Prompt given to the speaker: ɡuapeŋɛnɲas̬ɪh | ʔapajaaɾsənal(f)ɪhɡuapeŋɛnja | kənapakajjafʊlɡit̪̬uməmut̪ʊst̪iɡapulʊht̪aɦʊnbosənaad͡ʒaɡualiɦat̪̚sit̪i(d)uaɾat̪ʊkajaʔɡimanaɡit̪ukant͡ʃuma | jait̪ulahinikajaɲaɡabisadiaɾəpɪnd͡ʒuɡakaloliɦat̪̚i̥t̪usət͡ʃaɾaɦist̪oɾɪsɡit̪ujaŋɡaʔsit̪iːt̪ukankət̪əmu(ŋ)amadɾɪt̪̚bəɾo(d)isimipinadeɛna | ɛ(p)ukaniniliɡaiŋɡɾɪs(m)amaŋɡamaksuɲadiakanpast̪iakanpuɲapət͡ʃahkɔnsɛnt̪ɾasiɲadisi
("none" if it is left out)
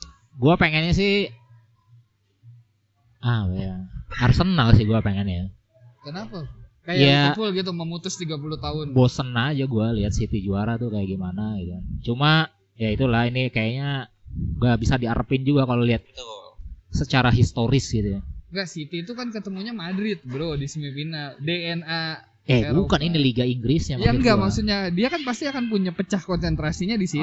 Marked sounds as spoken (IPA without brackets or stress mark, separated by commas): s, d͡ʒ, ɲ, d, b, ɲ